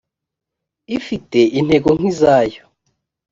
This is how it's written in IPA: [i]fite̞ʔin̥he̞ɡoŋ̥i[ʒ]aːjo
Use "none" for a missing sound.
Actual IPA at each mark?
i, z

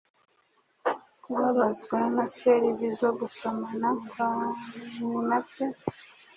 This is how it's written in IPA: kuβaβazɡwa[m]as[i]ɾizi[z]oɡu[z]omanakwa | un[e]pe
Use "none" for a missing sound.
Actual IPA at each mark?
n, e, z, s, a

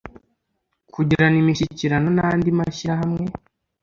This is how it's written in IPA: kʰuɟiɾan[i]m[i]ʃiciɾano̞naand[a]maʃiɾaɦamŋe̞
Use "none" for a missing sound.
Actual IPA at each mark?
i, i, i

